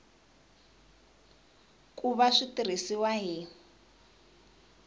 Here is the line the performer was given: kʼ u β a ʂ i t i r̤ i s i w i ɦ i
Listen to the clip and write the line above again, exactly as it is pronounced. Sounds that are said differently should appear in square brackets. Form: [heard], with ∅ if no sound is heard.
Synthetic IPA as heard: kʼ u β a ʂ i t i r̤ i s i w [a] ɦ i